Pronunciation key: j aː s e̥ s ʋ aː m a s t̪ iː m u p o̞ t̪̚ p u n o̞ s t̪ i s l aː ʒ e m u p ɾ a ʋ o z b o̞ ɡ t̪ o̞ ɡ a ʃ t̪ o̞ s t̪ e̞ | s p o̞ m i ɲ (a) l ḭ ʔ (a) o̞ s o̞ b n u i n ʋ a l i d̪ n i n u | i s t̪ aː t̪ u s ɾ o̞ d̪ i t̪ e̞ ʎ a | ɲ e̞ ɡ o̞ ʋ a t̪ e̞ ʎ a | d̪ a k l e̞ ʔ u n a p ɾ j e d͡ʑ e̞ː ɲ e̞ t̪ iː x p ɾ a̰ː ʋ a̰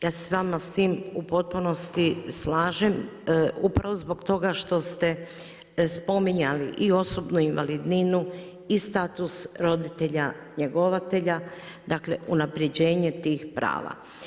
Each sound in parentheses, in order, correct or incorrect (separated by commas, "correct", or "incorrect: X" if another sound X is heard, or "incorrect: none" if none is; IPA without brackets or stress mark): correct, incorrect: i